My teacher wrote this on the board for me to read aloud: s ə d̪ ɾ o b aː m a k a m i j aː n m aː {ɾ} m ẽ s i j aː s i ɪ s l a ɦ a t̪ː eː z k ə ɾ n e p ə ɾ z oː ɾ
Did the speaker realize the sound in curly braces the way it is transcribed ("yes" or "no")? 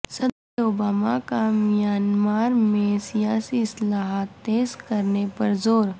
yes